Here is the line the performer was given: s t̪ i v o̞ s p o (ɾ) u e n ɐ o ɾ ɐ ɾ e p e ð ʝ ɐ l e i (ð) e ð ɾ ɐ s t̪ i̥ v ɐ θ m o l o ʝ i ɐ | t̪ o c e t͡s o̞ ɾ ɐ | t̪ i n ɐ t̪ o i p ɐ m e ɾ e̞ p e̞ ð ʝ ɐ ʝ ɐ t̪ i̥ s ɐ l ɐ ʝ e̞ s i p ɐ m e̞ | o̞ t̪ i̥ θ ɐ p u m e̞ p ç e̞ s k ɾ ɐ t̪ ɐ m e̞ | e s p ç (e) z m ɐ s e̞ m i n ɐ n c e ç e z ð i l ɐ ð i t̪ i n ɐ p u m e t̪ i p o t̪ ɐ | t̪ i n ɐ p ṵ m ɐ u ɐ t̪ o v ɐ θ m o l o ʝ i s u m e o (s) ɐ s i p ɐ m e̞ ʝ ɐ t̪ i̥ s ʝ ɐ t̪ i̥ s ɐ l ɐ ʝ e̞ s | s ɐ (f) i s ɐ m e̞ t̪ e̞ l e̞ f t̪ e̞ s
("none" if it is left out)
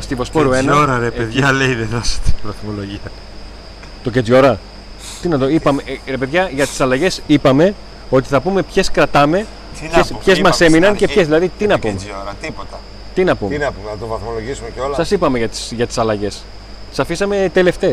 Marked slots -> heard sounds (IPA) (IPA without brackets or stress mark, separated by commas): ɾ, ð, e, s, f